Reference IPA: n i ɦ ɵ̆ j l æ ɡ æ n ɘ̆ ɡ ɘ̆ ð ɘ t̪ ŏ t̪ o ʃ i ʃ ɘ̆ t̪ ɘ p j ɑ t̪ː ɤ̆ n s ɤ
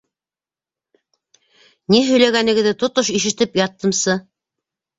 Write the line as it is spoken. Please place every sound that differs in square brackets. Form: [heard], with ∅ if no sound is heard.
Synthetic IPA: n i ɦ ɵ̆ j l æ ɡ æ n ɘ̆ ɡ ɘ̆ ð ɘ t̪ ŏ t̪ o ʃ i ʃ ɘ̆ t̪ ɘ p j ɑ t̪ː ɤ̆ [m] s ɤ